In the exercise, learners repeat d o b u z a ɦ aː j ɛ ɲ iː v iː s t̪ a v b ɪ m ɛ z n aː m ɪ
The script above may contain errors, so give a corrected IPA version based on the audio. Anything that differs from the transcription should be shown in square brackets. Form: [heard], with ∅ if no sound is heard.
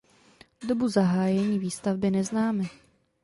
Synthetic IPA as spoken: d o b u z a ɦ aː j ɛ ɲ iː v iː s t̪ a v b ɪ [n] ɛ z n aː m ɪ